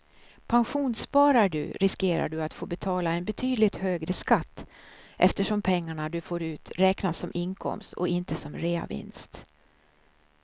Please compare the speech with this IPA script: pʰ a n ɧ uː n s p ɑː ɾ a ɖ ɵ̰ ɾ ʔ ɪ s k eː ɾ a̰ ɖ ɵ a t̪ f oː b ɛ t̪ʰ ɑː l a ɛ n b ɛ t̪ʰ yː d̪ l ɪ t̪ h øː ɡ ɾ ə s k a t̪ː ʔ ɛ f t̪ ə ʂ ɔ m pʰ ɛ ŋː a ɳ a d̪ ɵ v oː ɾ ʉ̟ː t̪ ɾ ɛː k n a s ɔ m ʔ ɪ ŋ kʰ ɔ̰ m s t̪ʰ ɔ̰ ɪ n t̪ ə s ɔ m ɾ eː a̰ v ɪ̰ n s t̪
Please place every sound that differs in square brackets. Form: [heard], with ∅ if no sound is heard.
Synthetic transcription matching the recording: pʰ a n ɧ uː n s p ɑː ɾ a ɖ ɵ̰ ɾ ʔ ɪ s k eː ɾ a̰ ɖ ɵ a t̪ f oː b ɛ t̪ʰ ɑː l a ɛ n b ɛ t̪ʰ yː d̪ l ɪ t̪ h øː ɡ ɾ ə s k a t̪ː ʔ ɛ f t̪ ə ʂ ɔ m pʰ ɛ ŋː a ɳ a d̪ ɵ [f] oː ɾ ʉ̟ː t̪ ɾ ɛː k n a s ɔ m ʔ ɪ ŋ kʰ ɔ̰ m s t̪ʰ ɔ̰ ɪ n t̪ ə s ɔ m ɾ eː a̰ v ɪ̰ n s t̪